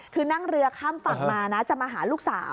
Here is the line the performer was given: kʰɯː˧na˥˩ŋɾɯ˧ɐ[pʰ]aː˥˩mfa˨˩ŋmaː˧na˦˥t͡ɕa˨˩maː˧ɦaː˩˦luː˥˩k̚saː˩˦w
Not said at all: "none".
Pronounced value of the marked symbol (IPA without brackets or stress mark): kʰ